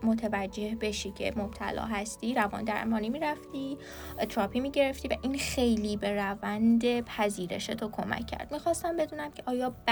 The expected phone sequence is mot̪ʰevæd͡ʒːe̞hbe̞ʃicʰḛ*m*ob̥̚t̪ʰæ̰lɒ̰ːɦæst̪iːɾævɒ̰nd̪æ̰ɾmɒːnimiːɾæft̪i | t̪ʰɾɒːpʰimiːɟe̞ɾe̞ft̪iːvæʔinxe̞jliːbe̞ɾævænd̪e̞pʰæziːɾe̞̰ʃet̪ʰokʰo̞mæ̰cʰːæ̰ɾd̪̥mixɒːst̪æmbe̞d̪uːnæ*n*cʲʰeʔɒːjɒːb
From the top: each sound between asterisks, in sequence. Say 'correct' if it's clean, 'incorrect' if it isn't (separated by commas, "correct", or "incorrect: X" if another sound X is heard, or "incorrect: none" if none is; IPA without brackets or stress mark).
correct, incorrect: m